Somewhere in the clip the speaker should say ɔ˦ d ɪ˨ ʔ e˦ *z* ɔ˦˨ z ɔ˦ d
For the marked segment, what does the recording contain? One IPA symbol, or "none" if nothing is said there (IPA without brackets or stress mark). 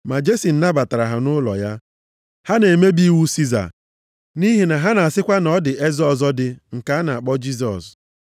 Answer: z